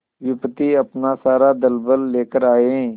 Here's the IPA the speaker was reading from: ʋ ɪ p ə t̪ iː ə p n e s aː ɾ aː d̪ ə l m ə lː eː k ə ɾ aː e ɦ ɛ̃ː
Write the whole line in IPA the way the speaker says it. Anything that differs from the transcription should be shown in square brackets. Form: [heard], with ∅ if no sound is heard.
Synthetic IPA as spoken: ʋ ɪ p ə t̪ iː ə p n [a] s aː ɾ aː d̪ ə l [b] ə lː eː k ə ɾ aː e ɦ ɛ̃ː